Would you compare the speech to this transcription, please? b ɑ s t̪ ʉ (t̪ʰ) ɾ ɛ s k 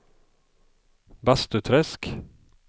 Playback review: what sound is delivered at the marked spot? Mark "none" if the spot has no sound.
t̪ʰ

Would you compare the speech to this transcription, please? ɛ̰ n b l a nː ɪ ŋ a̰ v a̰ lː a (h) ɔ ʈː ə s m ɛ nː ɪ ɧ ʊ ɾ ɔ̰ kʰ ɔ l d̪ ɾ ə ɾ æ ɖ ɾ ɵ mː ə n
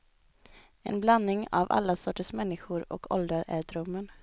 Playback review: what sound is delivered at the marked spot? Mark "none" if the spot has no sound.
s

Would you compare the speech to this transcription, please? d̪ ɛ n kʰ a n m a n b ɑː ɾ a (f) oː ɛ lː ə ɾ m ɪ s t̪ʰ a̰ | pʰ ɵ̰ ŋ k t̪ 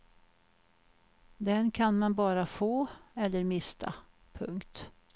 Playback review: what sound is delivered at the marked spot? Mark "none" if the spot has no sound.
f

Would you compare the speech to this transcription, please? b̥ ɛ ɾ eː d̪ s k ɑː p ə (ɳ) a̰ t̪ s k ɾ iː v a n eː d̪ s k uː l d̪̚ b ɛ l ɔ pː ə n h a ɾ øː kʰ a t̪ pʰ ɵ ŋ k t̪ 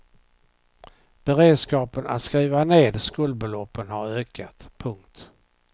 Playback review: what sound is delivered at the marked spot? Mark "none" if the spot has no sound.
n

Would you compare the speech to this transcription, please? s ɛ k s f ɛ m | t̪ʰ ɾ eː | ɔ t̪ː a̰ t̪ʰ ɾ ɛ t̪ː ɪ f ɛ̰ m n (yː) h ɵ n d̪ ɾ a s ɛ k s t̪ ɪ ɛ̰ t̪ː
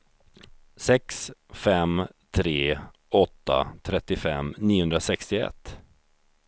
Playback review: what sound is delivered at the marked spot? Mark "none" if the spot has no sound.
iː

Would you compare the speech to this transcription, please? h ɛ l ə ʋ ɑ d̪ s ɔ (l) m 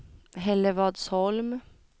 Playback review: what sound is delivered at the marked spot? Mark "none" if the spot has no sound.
l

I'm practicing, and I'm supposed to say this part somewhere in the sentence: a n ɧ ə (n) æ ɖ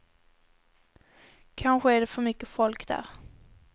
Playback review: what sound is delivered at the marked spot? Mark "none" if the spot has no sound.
none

